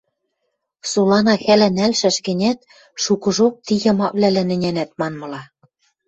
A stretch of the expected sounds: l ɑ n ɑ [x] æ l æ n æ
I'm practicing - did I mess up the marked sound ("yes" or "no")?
no